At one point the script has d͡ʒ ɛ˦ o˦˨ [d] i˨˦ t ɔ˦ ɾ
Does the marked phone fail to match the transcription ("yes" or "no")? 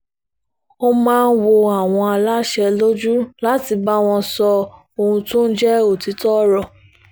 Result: yes